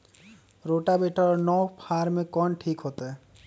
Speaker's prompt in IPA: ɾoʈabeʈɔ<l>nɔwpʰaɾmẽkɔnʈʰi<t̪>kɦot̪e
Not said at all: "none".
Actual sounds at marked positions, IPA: ɾ, none

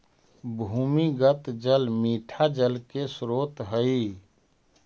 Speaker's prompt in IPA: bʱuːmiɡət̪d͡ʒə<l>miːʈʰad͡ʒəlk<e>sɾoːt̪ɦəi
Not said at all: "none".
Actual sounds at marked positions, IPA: l, e

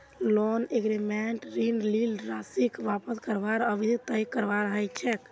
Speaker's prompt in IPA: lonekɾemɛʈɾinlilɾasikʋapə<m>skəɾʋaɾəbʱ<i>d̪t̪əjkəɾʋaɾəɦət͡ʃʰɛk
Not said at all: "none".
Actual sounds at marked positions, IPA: none, i

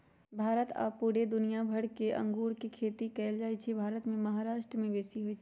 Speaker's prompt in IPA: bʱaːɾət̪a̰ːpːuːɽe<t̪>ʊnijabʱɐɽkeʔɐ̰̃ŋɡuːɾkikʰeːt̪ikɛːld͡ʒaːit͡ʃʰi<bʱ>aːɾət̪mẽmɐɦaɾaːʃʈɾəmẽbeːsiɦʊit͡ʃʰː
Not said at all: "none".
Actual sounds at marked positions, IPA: d̪, bʱ

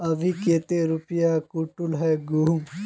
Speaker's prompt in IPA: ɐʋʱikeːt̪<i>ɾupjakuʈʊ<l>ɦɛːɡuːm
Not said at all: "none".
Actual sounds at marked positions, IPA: e, l

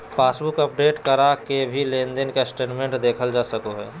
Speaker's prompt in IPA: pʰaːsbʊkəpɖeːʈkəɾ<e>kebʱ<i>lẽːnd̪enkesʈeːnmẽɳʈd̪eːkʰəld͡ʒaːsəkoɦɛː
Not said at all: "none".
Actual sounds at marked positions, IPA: a, i

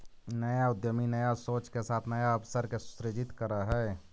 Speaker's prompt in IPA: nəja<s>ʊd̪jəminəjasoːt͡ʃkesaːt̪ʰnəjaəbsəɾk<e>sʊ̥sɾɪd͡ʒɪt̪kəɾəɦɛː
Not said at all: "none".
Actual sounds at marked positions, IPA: none, e

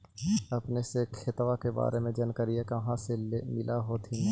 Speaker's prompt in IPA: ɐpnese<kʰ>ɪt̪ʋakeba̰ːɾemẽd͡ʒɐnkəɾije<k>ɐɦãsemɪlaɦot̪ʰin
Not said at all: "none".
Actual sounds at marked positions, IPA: kʰ, k

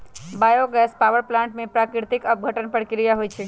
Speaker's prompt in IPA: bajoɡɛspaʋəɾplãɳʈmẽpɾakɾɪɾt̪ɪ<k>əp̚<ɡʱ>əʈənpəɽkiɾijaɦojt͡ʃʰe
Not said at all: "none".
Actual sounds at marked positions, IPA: k, ɡʱ

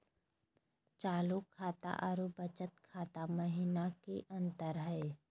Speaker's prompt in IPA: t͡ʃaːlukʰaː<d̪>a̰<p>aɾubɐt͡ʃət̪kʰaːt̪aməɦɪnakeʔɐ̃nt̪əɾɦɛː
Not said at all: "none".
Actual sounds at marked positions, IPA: t̪, ʔ

